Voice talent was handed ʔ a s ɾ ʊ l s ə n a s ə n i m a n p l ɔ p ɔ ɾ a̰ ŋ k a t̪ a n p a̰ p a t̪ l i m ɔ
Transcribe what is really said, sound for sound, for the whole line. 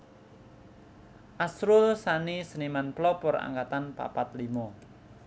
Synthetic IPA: ʔ a s ɾ ʊ l s a n i s ə n i m a n p l ɔ p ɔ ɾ a̰ ŋ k a t̪ a n p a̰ p a t̪ l i m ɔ